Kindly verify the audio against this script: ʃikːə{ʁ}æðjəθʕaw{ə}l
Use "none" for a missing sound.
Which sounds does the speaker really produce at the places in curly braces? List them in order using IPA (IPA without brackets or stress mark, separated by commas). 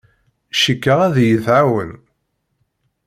ʁ, ə